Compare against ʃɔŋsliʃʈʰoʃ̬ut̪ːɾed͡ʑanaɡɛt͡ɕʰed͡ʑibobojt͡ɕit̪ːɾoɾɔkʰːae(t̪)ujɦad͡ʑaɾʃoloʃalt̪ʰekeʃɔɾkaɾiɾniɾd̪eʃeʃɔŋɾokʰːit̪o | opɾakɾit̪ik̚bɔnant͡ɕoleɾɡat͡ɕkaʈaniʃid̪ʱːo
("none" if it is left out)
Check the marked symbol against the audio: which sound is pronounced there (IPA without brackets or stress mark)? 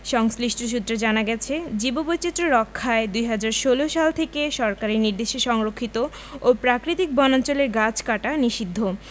d̪